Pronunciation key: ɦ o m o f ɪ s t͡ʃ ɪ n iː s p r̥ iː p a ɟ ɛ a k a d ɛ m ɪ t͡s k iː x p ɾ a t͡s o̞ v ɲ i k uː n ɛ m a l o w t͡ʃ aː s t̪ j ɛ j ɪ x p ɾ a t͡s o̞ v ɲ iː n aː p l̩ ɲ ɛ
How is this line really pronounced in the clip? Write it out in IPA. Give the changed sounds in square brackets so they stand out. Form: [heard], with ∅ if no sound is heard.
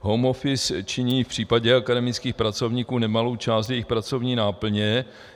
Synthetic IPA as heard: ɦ o m o f ɪ s t͡ʃ ɪ [ɲ] iː [f] p r̥ iː p a ɟ ɛ a k a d ɛ m ɪ t͡s k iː x p ɾ a t͡s o̞ v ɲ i k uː n ɛ m a l o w t͡ʃ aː s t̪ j ɛ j ɪ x p ɾ a t͡s o̞ v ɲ iː n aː p l̩ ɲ ɛ